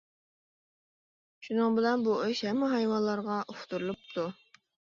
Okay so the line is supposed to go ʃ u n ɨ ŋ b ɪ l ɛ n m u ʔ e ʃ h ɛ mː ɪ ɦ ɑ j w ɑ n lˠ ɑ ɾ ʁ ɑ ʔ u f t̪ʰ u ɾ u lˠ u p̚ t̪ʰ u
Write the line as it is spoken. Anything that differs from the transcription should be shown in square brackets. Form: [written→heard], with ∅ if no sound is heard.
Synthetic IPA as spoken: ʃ u n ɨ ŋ b ɪ l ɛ n [m→b] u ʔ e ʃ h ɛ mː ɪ ɦ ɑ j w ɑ n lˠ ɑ ɾ ʁ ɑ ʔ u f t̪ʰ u ɾ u lˠ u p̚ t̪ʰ u